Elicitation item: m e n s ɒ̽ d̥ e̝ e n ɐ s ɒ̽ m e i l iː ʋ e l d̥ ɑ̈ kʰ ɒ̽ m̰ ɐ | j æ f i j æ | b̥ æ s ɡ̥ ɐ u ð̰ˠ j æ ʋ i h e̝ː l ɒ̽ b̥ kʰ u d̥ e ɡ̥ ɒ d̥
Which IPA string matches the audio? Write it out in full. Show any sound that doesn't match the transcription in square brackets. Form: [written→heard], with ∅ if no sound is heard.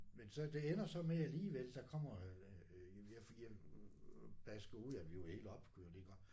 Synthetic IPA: m e n s ɒ̽ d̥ e̝ e n ɐ s ɒ̽ m e [i→æ] l iː ʋ e l d̥ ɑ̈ kʰ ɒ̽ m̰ ɐ | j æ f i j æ | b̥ æ s ɡ̥ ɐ u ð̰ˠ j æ ʋ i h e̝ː l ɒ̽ b̥ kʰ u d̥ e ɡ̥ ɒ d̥